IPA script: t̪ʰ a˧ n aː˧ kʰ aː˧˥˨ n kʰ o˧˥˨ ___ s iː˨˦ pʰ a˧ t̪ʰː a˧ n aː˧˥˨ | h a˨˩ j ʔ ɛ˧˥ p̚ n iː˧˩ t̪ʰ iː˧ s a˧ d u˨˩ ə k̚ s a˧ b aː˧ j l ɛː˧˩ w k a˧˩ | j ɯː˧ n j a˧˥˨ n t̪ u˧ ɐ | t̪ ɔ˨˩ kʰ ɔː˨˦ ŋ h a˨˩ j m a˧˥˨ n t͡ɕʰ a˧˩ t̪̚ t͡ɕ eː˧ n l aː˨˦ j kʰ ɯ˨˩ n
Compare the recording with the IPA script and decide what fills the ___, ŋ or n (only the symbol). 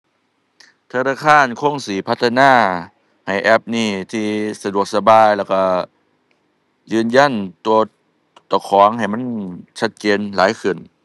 ŋ